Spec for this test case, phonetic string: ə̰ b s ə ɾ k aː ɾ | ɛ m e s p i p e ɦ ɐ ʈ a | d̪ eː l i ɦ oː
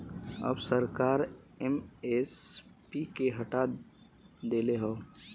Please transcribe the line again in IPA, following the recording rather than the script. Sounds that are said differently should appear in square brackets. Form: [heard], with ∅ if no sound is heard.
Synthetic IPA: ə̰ b s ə ɾ k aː ɾ | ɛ m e s p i [k] e ɦ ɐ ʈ a | d̪ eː l [e] ɦ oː